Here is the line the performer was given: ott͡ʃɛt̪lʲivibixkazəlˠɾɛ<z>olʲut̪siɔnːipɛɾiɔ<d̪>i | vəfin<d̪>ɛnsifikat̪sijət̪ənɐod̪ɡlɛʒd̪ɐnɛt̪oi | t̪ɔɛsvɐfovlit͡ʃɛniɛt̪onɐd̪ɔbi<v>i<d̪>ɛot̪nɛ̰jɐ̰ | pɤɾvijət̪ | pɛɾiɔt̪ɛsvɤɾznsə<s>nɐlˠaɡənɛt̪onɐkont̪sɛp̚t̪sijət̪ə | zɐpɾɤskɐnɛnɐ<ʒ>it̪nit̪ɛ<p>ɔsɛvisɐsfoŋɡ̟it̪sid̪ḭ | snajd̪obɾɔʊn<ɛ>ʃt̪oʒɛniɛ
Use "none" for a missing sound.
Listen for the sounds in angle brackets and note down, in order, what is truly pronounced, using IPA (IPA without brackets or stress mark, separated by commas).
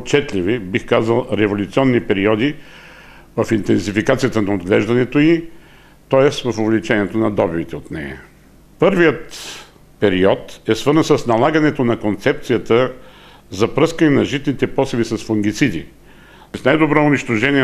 v, d̪, t̪, v, t̪, s, ʒ, p, i